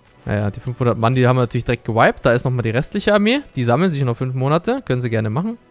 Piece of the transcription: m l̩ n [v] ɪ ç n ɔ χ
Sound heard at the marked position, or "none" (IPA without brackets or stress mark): z